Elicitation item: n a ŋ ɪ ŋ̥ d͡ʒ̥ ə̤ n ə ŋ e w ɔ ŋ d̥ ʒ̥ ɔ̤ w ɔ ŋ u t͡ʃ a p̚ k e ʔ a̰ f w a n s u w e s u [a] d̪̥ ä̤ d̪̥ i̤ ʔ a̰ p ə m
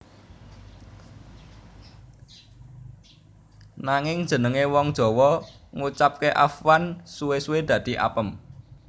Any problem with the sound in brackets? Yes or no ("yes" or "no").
yes